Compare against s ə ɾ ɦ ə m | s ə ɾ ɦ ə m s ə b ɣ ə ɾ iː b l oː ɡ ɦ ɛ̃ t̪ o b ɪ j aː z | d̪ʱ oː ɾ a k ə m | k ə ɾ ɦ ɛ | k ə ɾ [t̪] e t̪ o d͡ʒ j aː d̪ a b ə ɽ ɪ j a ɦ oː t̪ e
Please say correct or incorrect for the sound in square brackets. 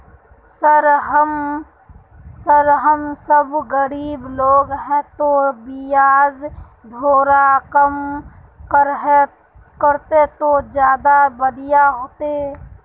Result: correct